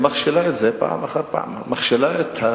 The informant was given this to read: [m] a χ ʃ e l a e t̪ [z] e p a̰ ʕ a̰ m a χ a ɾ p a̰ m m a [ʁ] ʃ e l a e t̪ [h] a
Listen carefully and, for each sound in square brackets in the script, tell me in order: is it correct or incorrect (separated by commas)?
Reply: correct, correct, incorrect, correct